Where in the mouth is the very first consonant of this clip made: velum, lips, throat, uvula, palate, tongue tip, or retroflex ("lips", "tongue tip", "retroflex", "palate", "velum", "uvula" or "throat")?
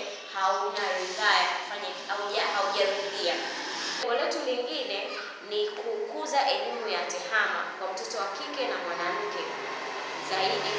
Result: throat